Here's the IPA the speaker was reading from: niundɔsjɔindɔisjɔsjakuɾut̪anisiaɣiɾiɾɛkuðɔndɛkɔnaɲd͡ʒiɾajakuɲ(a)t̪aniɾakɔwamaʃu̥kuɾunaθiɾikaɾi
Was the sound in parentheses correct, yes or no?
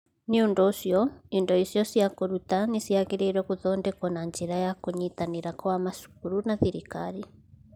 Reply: no